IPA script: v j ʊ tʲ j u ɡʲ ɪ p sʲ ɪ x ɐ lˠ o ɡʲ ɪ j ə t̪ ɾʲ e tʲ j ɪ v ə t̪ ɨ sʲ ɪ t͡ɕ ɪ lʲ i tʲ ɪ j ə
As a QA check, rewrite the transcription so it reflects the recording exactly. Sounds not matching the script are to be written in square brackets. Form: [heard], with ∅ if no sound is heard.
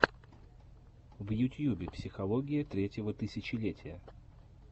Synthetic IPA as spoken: v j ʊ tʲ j u [bʲ] ɪ p sʲ ɪ x ɐ lˠ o ɡʲ ɪ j ə t̪ ɾʲ e tʲ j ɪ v ə t̪ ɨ sʲ ɪ t͡ɕ ɪ lʲ [e] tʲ ɪ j ə